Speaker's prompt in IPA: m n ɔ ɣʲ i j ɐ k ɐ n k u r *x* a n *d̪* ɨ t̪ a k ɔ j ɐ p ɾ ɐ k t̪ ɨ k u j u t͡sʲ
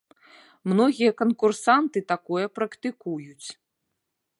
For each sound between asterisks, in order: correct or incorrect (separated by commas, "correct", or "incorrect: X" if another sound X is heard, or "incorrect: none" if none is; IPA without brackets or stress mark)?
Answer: incorrect: s, incorrect: t̪